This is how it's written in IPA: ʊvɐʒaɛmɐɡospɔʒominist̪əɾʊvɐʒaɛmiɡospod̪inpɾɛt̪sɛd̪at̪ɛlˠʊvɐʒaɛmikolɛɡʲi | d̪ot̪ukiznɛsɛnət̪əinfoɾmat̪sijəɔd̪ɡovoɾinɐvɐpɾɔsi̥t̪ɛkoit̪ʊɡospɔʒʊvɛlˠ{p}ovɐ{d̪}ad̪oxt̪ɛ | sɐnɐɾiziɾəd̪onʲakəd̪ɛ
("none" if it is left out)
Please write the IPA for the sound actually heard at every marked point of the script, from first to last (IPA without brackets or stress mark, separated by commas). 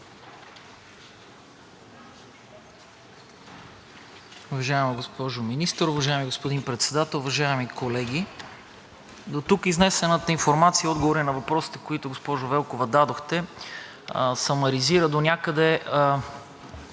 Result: k, d̪